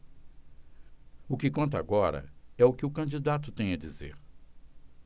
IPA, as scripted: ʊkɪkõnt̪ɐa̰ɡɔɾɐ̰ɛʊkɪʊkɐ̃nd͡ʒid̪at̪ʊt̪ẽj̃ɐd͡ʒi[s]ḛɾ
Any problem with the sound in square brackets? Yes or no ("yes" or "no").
yes